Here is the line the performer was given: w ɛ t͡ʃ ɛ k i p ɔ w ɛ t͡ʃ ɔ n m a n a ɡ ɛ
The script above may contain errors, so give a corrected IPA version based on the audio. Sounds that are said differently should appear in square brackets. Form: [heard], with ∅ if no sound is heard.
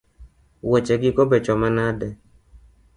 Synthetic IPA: w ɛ t͡ʃ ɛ [ɡ] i [k] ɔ [b] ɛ t͡ʃ ɔ [∅] m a n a [d] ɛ